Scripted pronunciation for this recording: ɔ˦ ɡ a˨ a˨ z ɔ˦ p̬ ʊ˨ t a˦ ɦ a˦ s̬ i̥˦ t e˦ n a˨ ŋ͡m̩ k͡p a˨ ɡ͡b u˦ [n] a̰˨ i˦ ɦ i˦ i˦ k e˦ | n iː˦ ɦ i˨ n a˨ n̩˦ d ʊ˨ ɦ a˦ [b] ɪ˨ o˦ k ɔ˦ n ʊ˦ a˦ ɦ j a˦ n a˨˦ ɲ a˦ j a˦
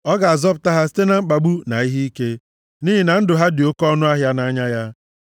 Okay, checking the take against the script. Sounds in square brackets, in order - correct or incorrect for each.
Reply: correct, incorrect

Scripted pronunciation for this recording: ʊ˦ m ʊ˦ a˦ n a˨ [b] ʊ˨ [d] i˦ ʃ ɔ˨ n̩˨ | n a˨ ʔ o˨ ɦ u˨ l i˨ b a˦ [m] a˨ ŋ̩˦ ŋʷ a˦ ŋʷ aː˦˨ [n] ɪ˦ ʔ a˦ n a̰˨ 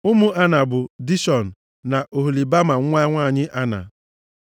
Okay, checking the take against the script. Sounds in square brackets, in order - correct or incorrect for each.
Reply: correct, correct, correct, incorrect

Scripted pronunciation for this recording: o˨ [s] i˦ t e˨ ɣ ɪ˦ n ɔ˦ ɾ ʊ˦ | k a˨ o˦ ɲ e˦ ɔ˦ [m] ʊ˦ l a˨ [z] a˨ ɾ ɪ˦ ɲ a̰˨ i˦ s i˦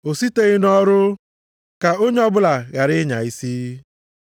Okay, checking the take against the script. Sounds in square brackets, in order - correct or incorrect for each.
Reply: correct, incorrect, incorrect

